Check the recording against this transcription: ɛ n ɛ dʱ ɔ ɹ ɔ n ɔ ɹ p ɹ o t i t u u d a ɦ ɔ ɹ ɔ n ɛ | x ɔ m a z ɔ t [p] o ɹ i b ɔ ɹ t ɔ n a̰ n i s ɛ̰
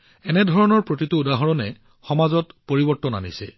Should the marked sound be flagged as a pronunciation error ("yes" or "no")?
no